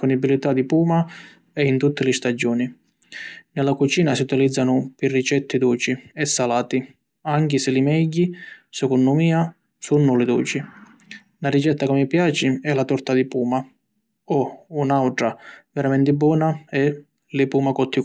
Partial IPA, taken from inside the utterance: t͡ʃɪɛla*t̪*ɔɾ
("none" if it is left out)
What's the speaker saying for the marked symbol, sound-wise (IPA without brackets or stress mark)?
t̪